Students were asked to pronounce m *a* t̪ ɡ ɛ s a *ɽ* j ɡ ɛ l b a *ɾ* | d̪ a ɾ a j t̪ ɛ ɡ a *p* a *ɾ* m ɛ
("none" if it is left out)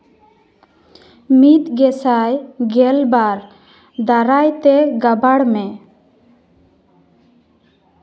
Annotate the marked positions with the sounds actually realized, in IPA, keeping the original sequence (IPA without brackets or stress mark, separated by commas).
i, none, ɾ, b, ɽ